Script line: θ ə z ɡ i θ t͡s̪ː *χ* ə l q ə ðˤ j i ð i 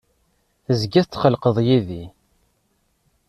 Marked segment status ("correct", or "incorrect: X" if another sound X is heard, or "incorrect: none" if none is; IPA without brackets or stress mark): correct